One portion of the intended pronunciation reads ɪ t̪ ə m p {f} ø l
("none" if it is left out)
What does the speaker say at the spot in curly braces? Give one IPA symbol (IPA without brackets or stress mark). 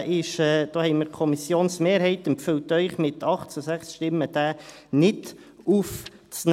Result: f